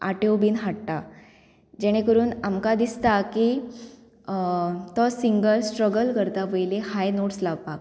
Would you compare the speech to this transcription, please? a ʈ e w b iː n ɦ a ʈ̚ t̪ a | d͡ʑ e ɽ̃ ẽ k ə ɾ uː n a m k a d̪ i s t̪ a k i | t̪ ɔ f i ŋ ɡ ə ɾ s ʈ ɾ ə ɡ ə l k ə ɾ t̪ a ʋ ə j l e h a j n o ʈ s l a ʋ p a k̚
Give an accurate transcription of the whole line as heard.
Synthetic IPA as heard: a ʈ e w b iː n ɦ a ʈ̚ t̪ a | d͡ʑ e ɽ̃ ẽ k ə ɾ uː n a m k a d̪ i s t̪ a k i | t̪ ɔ s i ŋ ɡ ə l s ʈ ɾ ə ɡ ə l k ə ɾ t̪ a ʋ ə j l e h a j n o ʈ s l a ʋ p a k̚